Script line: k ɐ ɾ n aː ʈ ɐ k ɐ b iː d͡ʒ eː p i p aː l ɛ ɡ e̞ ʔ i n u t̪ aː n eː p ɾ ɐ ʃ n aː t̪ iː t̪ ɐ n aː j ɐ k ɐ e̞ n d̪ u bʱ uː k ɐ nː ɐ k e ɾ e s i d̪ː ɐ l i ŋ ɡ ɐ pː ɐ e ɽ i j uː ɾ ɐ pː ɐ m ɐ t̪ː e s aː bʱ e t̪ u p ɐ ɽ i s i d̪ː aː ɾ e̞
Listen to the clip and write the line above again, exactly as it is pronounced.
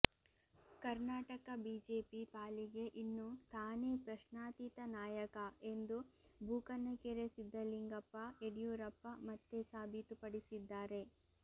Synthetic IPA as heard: k ɐ ɾ n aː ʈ ɐ k ɐ b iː d͡ʒ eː p i p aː l i ɡ e̞ ʔ i nː u t̪ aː n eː p ɾ ɐ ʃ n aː t̪ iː t̪ ɐ n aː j ɐ k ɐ e̞ n d̪ u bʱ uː k ɐ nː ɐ k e ɾ e s i d̪ː ɐ l i ŋ ɡ ɐ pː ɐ e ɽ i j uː ɾ ɐ pː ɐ m ɐ t̪ː e s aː bʱ i t̪ u p ɐ ɽ i s i d̪ː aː ɾ e̞